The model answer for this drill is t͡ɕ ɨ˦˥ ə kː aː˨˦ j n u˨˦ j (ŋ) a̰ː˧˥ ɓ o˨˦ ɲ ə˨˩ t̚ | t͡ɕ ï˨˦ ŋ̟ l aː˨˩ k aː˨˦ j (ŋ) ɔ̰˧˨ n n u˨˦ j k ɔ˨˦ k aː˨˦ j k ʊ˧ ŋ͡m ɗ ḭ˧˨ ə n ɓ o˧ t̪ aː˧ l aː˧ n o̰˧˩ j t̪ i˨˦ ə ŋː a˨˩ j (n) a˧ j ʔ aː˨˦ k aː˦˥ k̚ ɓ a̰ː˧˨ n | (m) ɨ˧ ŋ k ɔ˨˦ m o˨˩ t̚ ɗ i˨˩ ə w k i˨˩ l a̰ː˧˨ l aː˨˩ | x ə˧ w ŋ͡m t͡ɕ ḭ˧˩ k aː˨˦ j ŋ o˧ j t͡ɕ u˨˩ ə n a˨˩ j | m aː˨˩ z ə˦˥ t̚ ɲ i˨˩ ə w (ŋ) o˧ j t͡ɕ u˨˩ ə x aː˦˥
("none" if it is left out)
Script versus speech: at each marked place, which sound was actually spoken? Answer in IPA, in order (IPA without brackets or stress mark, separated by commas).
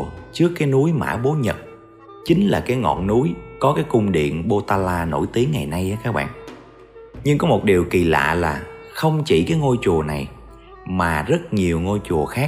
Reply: m, ŋ, n, ɲ, ŋ